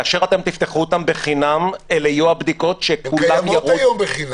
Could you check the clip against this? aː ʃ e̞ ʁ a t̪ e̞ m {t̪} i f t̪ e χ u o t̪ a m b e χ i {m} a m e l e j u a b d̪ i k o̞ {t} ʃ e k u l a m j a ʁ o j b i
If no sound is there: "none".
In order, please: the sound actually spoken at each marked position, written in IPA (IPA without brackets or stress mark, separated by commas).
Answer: t̪, n, t